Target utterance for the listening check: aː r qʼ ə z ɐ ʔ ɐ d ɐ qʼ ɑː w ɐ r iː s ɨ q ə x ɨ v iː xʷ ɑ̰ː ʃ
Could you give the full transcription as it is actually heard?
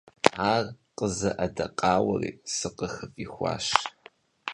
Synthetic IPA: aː r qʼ ə z ɐ ʔ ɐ d ɐ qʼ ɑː w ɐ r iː s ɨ q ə x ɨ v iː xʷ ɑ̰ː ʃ

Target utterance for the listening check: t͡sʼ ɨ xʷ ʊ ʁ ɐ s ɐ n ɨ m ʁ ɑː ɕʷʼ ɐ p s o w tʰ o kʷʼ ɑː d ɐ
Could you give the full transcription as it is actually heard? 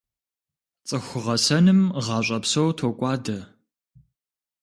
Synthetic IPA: t͡sʼ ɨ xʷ ʊ ʁ ɐ s ɐ n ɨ m ʁ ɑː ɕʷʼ ɐ p s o w tʰ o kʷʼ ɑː d ɐ

